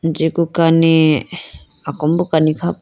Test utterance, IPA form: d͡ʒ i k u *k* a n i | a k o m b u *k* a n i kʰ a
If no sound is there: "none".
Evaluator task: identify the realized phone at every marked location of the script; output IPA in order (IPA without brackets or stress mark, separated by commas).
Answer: k, k